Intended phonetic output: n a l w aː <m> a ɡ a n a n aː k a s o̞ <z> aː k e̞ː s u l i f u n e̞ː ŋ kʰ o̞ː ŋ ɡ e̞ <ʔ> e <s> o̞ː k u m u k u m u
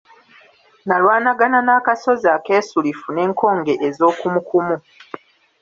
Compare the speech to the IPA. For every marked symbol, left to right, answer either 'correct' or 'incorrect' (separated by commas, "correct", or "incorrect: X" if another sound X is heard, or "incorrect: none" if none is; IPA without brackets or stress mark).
incorrect: n, correct, correct, incorrect: z